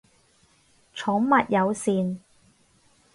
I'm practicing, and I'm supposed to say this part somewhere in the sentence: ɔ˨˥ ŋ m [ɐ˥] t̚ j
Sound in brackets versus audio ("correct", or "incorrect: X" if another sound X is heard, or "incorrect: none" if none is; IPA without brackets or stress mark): incorrect: ɐ˨